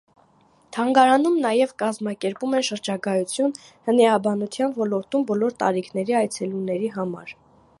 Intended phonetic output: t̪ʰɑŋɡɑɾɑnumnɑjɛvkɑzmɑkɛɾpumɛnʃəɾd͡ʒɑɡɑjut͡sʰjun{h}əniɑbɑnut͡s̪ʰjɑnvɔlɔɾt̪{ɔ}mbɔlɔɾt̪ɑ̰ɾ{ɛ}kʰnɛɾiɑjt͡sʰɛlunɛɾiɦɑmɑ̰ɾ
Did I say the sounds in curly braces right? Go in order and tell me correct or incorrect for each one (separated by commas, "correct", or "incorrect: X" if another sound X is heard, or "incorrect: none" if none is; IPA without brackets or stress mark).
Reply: correct, incorrect: u, incorrect: i